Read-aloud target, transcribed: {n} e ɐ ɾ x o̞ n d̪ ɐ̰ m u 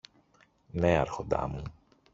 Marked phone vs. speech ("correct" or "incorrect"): correct